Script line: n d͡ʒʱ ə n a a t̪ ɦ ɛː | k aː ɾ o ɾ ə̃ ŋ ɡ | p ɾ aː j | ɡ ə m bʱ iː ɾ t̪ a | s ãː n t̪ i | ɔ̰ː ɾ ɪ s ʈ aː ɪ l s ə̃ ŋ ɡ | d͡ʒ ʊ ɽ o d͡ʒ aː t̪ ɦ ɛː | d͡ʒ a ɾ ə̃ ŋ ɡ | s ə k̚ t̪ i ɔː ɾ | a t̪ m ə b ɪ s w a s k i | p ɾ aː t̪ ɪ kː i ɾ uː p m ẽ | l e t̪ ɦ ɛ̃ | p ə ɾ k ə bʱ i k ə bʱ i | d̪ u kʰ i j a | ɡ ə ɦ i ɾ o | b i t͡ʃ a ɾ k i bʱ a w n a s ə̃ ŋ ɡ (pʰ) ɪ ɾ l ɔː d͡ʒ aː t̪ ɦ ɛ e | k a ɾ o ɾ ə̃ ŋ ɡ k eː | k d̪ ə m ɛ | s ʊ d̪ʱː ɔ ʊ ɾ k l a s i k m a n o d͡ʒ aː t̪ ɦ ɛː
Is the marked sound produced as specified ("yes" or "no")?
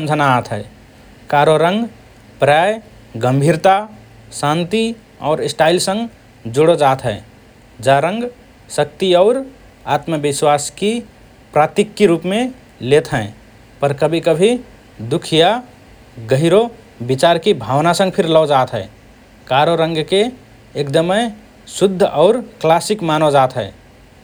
yes